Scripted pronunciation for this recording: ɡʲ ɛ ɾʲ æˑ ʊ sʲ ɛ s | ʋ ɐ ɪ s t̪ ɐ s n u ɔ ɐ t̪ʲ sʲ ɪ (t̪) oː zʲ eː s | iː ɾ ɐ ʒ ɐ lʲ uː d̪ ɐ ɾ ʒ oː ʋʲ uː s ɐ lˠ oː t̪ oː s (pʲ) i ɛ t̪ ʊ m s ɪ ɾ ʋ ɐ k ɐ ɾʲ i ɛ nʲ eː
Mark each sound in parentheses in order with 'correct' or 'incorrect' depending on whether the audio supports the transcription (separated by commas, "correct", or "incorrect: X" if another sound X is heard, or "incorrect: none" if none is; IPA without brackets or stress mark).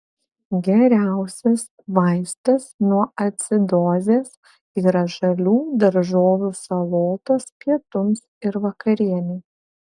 incorrect: d̪, correct